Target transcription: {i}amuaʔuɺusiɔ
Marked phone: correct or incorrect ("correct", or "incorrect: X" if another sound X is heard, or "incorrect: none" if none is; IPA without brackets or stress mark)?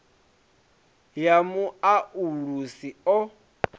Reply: incorrect: j